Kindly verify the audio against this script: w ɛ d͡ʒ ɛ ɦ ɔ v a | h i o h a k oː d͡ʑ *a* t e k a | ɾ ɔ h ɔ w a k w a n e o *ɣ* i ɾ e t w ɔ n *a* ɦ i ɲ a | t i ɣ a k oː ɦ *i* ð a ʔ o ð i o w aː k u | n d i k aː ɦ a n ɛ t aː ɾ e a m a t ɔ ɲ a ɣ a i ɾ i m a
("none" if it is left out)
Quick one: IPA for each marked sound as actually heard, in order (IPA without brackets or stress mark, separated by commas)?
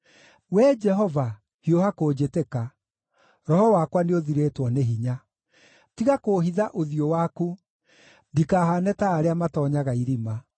e, ð, e, i